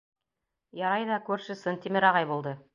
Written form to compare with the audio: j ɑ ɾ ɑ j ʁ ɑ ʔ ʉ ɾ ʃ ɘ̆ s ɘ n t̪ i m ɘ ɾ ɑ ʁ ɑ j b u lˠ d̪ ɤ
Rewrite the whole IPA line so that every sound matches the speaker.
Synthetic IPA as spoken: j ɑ ɾ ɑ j ð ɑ k ʉ ɾ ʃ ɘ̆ s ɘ n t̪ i m ɘ ɾ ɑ ʁ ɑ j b u lˠ d̪ ɤ